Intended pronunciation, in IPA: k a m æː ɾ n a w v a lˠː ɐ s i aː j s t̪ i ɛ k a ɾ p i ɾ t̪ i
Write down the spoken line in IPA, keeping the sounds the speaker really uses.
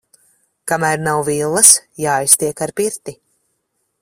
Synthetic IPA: k a m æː ɾ n a w v i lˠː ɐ s j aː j s t̪ i ɛ k a ɾ p i ɾ t̪ i

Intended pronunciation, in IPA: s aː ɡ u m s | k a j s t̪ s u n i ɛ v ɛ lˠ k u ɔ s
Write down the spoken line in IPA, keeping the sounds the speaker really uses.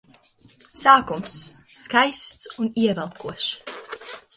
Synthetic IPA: s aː k u m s | k a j s t̪ s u n i ɛ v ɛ lˠ k u ɔ ʃ

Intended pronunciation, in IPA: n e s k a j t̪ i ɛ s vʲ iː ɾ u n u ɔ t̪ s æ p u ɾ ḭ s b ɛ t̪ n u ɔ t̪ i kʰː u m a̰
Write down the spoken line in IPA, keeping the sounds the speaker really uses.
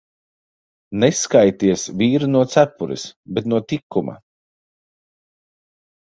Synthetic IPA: n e s k a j t̪ i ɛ s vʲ iː ɾ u n u ɔ t̪ s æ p u ɾ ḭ s b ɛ t̪ n u ɔ t̪ i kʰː u m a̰

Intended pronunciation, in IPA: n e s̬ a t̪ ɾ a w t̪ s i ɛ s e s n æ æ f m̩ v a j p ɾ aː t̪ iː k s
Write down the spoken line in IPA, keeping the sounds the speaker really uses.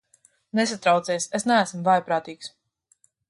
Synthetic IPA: n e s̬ a t̪ ɾ a w t̪ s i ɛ s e s n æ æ s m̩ v a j p ɾ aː t̪ iː k s

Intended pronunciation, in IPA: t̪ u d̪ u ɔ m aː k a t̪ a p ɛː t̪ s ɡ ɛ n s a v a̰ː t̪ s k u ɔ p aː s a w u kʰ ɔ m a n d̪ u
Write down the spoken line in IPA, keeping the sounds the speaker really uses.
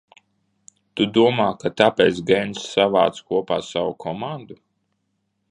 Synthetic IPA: t̪ u d̪ u ɔ m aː k a t̪ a p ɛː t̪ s ɡ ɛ n s a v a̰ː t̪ s k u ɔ p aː s a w u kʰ ɔ m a n d̪ u

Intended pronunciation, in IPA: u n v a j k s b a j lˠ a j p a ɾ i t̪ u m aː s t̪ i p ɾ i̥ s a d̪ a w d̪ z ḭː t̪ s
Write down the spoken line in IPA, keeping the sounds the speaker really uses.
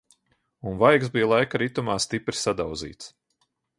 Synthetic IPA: u n v a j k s b i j lˠ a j k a ɾ i t̪ u m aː s t̪ i p ɾ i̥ s a d̪ a w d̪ z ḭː t̪ s

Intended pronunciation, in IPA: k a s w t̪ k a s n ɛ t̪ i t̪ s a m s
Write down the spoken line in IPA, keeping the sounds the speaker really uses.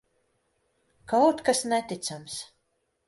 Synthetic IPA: k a w t̪ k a s n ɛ t̪ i t̪ s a m s

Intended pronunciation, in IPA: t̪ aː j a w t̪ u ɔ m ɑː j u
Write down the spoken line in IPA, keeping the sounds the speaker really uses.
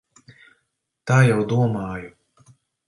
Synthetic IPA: t̪ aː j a w d̪ u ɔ m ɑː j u

